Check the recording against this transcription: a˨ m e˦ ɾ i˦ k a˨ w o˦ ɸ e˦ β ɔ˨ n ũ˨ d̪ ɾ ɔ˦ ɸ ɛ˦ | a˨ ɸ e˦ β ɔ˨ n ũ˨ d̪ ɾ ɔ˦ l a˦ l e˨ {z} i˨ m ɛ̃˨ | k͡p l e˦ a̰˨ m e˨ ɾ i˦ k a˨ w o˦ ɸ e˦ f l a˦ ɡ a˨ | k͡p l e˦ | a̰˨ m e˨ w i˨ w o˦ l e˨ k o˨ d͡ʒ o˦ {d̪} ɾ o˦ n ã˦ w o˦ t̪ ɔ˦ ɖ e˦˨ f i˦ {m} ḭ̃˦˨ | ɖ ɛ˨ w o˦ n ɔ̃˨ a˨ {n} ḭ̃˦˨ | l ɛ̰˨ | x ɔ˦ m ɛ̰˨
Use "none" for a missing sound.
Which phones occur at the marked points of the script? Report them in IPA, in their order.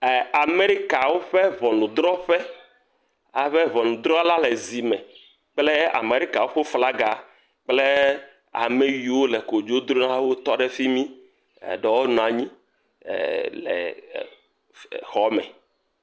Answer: z, d̪, m, ɲ

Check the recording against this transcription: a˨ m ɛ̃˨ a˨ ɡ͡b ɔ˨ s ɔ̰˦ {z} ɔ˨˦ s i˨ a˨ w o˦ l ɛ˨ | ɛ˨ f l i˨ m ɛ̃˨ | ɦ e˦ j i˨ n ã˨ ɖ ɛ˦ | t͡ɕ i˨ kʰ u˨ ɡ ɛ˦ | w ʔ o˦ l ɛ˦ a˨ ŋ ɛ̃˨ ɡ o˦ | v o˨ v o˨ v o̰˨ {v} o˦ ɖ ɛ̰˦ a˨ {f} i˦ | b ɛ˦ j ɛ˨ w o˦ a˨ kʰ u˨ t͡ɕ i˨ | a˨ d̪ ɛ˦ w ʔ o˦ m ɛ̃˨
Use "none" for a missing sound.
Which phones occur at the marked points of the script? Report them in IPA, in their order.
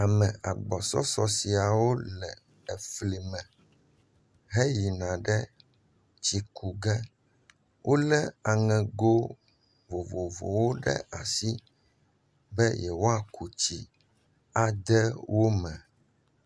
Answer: s, w, s

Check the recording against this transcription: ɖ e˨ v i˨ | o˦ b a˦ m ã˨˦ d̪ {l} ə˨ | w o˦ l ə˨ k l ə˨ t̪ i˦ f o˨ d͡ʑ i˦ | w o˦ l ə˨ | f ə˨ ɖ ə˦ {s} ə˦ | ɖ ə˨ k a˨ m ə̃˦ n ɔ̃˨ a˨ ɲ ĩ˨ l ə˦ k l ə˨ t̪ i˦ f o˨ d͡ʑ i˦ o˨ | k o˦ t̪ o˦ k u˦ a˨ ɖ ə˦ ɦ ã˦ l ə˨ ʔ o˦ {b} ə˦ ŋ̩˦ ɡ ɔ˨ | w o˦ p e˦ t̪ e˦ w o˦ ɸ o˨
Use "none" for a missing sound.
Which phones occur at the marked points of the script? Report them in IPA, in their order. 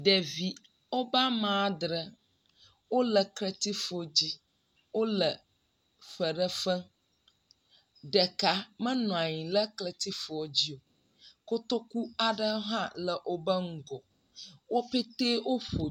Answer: ɾ, f, b

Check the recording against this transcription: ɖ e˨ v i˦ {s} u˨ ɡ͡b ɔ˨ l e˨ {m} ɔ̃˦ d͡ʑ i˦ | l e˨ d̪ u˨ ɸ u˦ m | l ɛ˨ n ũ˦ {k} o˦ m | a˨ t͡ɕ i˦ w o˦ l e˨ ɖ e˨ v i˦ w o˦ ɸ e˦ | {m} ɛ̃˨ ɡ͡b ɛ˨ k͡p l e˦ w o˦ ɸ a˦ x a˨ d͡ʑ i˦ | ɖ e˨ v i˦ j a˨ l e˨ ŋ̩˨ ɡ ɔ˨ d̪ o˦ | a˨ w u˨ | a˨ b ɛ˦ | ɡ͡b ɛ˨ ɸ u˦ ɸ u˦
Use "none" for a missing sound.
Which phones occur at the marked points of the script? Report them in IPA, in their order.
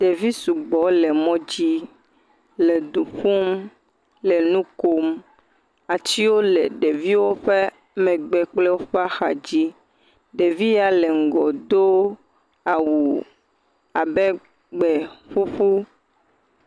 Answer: s, m, k, m

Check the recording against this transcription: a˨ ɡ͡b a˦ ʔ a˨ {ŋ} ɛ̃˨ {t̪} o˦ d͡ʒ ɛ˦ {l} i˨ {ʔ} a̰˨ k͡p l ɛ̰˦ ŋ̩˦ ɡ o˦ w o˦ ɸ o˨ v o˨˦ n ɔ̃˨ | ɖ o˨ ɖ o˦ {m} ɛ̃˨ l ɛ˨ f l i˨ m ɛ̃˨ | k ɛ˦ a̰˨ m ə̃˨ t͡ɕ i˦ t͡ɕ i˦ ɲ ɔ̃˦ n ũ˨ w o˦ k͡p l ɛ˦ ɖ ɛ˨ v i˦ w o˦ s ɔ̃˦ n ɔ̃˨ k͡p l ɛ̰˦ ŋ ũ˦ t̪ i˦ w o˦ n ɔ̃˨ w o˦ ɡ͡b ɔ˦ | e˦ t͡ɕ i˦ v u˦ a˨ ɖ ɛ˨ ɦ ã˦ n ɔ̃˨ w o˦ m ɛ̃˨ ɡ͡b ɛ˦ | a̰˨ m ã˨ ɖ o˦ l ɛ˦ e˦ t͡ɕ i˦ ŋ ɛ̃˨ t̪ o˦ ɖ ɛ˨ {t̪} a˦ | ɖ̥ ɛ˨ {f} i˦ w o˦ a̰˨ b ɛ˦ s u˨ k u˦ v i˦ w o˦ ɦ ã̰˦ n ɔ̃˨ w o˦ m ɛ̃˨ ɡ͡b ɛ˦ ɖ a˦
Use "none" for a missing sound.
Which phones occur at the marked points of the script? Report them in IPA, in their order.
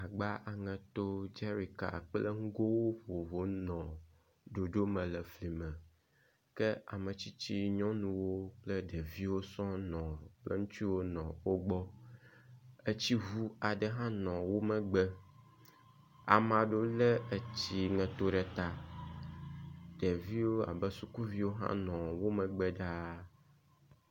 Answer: ŋ, t̪, ɾ, k, m, t̪, v

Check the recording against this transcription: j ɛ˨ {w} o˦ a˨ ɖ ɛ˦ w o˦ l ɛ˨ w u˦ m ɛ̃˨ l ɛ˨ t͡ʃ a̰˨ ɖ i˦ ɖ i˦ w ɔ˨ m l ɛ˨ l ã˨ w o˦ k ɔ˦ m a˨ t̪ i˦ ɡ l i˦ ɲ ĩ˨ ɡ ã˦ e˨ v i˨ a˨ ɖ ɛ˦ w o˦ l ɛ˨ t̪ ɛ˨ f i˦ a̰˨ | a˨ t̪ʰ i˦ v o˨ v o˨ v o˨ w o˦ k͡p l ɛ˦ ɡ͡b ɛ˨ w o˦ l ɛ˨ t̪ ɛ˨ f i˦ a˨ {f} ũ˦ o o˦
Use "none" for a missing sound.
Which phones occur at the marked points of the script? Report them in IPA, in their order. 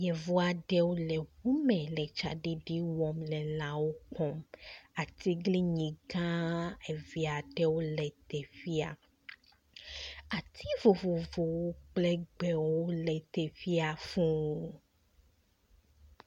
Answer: v, f

